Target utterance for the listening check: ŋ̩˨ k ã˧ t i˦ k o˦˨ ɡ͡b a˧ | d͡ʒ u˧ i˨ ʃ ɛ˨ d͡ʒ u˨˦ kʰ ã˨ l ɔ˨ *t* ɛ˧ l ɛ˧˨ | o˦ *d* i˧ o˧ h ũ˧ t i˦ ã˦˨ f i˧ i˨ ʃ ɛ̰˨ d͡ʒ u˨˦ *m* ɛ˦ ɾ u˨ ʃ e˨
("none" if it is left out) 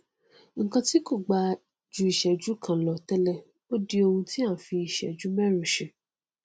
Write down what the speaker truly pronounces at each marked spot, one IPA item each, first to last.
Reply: t, d, m

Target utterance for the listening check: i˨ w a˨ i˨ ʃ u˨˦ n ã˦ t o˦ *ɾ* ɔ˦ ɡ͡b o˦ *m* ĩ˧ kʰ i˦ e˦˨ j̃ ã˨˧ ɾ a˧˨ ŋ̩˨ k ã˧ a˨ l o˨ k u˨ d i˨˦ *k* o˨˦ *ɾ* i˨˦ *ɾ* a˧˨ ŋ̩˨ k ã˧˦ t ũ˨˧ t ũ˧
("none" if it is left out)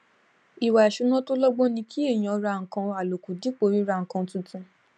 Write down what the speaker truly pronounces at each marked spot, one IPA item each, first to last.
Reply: l, n, k͡p, ɾ, ɾ

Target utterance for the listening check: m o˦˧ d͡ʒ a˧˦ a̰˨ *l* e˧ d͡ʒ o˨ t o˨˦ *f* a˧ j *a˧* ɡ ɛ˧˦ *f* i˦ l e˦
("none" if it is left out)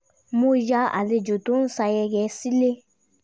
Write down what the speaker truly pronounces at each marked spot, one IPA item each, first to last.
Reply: l, s, ɛ˧, s

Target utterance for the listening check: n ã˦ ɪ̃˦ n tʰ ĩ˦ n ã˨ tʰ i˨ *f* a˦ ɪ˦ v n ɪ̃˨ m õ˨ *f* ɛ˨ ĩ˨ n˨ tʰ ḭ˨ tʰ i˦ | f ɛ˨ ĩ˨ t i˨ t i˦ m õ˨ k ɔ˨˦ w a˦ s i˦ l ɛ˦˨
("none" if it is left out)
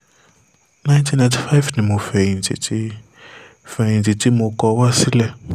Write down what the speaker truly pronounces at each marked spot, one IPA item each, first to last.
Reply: f, f

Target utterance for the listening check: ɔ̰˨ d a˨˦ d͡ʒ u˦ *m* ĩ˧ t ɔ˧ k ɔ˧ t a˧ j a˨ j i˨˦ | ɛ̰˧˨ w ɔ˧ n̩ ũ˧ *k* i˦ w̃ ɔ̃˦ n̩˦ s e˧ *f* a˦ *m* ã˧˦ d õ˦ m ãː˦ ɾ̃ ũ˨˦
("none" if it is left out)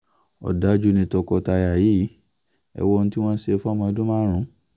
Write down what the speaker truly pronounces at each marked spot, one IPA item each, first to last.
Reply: n, t, f, m

